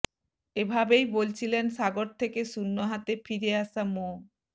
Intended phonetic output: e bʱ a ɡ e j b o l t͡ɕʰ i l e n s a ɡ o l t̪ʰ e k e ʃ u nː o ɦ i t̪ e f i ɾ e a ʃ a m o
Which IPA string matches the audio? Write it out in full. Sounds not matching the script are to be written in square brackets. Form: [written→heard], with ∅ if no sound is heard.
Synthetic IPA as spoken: e bʱ a [ɡ→b] e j b o l t͡ɕʰ i l e n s a ɡ o [l→ɾ] t̪ʰ e k e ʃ u nː o ɦ [i→a] t̪ e f i ɾ e a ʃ a m o